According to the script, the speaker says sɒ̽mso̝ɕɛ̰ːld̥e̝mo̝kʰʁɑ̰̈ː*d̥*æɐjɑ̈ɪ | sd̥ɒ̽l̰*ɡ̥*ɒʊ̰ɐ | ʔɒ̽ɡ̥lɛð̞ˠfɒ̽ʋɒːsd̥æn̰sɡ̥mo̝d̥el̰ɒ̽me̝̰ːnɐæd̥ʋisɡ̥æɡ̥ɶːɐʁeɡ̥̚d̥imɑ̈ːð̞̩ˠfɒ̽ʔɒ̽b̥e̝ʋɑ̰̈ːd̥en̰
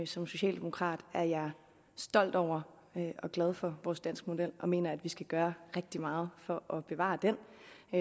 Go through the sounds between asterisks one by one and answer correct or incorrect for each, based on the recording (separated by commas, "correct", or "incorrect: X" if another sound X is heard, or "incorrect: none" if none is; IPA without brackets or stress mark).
correct, incorrect: d̥